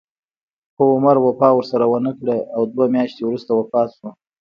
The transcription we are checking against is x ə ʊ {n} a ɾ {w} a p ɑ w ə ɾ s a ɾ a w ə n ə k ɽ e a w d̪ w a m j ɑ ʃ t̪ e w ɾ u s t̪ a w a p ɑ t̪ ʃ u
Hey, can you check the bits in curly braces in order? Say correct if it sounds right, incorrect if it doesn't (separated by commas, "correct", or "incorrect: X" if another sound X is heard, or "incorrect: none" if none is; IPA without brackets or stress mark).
incorrect: m, correct